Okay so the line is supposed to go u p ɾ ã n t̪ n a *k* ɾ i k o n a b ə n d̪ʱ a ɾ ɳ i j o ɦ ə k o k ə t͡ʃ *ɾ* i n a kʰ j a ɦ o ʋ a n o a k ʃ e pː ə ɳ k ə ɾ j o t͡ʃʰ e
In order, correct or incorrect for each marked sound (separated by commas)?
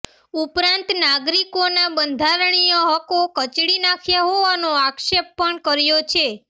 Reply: incorrect, incorrect